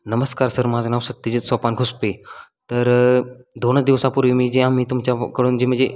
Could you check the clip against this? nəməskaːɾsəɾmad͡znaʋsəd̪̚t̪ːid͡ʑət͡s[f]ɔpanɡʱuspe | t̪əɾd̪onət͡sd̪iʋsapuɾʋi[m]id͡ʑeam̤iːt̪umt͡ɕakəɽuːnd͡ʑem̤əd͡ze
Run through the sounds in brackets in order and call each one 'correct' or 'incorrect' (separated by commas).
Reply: incorrect, correct